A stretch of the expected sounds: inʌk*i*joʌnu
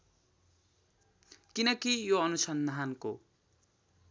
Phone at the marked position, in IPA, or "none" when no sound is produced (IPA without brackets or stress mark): i